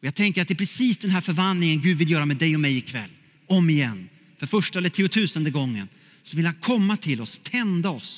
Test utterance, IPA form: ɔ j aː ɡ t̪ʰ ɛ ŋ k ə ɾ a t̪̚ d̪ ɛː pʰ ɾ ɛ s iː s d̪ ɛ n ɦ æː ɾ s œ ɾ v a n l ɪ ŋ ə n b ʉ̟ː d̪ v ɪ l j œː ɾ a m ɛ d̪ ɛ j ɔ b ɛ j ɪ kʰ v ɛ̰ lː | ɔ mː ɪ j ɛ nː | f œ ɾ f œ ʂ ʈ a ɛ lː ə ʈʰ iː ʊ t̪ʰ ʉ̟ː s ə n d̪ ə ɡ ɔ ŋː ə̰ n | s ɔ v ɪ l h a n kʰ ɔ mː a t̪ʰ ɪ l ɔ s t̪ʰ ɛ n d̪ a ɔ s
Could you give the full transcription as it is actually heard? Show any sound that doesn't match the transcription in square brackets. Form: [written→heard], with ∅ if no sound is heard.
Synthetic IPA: ɔ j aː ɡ t̪ʰ ɛ ŋ k ə ɾ a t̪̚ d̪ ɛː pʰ ɾ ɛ s iː s d̪ ɛ n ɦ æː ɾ [s→f] œ ɾ v a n l ɪ ŋ ə n [b→ɡ] ʉ̟ː d̪ v ɪ l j œː ɾ a m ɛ d̪ ɛ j ɔ [b→m] ɛ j ɪ kʰ v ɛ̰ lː | ɔ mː ɪ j ɛ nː | f œ ɾ f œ ʂ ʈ a ɛ lː ə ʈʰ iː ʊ t̪ʰ ʉ̟ː s ə n d̪ ə ɡ ɔ ŋː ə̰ n | s ɔ v ɪ l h a n kʰ ɔ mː a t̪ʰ ɪ l ɔ s t̪ʰ ɛ n d̪ a ɔ s